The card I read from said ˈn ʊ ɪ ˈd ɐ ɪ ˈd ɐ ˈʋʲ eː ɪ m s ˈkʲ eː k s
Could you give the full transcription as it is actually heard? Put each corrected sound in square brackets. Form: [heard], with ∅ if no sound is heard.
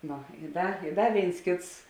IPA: ˈn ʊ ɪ ˈd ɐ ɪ ˈd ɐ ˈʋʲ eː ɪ [n] s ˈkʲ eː [t] s